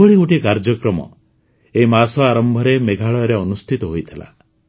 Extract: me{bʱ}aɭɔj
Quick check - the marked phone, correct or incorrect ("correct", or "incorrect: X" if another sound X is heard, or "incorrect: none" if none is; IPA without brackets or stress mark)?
incorrect: ɡʱ